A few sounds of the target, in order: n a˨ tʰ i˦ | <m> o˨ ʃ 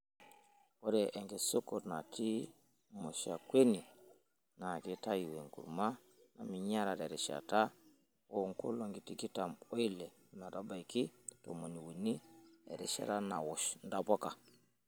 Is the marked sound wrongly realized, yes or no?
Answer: no